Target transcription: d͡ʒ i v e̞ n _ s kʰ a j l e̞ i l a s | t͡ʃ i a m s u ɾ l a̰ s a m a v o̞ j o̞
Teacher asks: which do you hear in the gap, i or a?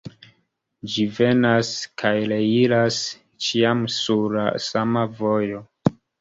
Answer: a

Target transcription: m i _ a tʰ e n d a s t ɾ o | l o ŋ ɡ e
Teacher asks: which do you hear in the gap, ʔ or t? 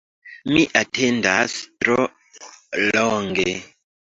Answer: ʔ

